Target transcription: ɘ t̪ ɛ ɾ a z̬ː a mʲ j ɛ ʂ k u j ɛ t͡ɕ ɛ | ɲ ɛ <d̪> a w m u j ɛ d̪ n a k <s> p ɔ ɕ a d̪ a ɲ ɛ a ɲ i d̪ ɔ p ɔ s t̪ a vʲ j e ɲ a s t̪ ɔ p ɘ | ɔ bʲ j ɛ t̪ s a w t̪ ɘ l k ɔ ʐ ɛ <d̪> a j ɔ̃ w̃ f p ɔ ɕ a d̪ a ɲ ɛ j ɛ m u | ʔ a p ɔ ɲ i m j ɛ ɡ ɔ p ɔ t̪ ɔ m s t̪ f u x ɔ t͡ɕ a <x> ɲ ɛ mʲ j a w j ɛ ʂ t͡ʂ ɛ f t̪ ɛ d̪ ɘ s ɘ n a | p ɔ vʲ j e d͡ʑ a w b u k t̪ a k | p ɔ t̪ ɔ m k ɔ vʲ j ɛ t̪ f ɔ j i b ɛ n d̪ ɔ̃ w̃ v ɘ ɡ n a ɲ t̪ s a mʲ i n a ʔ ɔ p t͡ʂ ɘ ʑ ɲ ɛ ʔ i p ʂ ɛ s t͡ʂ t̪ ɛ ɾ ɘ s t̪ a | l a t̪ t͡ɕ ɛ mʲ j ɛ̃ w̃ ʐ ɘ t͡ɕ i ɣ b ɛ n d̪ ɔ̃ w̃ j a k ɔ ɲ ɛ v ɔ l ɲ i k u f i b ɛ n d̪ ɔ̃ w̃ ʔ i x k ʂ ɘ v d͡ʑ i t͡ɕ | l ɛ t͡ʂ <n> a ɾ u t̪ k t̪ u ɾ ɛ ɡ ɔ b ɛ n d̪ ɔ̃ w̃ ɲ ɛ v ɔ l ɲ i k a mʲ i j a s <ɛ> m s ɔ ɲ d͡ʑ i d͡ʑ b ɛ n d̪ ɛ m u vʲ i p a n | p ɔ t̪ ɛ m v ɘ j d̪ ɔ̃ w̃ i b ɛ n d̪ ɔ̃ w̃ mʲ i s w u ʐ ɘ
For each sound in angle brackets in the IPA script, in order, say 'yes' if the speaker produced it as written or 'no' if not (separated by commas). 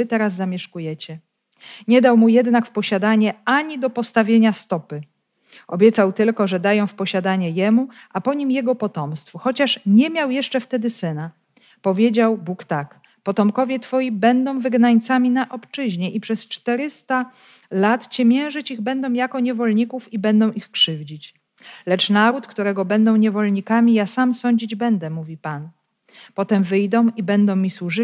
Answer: yes, no, yes, no, yes, no